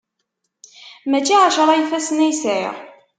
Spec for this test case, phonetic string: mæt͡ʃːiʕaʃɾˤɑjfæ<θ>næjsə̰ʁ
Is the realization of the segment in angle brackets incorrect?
yes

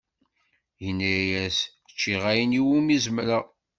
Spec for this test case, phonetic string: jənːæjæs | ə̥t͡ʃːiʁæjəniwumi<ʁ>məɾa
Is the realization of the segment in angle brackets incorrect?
yes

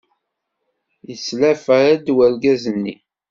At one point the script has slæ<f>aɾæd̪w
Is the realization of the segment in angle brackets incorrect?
no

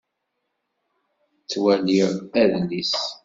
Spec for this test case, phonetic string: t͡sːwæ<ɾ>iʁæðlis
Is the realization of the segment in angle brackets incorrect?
yes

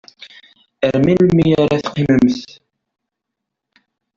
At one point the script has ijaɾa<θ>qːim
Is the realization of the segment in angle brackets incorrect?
no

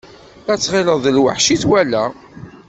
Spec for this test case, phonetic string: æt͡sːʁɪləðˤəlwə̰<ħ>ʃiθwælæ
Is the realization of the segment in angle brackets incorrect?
no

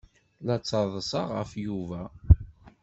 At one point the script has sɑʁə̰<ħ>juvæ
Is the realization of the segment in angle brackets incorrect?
yes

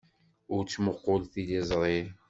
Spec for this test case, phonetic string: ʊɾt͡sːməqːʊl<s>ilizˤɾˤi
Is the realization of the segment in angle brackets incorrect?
yes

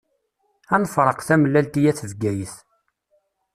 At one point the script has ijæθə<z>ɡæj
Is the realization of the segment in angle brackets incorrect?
yes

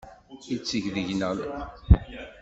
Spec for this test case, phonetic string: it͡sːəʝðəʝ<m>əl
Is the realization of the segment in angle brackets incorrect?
yes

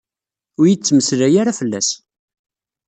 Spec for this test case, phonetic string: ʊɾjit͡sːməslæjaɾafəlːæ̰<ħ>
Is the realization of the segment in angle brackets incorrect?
yes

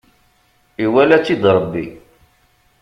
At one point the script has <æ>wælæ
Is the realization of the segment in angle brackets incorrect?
yes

